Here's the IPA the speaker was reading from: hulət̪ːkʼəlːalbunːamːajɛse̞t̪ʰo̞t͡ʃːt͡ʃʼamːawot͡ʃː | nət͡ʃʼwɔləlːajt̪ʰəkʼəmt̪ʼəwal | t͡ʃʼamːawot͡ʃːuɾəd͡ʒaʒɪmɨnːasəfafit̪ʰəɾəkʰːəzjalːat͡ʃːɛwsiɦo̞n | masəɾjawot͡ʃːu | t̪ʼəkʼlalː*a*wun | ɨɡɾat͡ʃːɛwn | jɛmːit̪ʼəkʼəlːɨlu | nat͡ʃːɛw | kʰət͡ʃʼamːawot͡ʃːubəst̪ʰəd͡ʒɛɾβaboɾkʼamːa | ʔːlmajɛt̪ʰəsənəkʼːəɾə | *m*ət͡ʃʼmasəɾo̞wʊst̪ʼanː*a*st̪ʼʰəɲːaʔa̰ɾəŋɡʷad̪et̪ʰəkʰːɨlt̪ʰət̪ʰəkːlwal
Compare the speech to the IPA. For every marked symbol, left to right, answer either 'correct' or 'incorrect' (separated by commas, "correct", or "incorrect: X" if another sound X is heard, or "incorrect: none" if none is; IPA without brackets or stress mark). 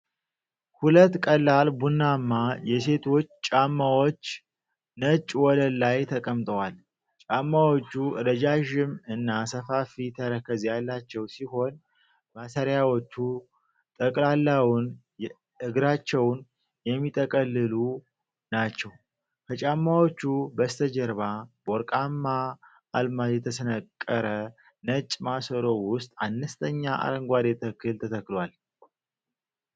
correct, incorrect: n, incorrect: ə